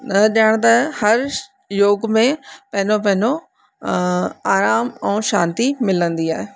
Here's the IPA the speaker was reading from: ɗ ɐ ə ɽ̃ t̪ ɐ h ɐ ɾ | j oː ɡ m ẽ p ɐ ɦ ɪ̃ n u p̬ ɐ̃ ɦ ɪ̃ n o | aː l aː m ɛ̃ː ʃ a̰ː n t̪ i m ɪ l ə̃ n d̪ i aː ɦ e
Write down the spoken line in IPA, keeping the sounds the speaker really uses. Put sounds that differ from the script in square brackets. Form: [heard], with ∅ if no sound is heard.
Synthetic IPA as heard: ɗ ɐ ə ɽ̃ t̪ ɐ h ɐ ɾ | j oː ɡ m ẽ p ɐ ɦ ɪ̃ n [o] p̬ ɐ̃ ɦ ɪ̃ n o | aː [ɾ] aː m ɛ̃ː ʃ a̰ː n t̪ i m ɪ l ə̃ n d̪ i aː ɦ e